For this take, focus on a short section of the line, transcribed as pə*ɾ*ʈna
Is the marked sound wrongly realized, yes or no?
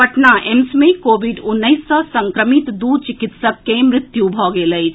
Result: yes